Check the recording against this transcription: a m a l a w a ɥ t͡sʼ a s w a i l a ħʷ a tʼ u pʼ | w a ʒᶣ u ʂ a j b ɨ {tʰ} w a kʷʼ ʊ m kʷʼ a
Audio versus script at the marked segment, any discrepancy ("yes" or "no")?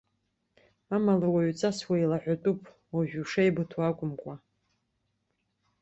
no